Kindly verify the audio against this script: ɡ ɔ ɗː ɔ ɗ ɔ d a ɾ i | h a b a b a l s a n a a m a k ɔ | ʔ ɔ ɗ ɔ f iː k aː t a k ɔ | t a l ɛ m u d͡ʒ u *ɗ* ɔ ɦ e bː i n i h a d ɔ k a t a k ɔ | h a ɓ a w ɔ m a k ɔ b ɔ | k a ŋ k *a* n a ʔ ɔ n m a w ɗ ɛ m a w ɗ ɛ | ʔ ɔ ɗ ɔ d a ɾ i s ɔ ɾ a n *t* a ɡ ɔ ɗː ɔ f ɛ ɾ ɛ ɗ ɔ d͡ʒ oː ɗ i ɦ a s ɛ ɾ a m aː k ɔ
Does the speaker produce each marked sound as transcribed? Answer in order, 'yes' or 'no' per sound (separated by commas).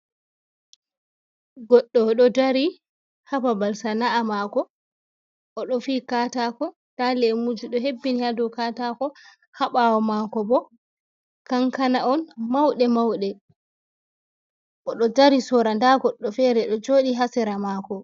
yes, yes, no